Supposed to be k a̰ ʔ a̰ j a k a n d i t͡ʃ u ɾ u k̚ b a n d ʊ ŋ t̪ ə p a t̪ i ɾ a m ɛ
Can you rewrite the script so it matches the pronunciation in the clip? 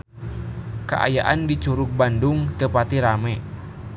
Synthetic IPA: k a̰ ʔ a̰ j a ʔ a n d i t͡ʃ u ɾ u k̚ b a n d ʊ ŋ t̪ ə p a t̪ i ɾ a m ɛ